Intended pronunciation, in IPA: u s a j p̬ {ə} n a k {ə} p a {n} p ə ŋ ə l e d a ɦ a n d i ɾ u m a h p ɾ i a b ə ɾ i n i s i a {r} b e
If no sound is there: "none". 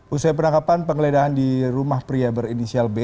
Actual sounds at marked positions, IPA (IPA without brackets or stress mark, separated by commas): ə, a, n, l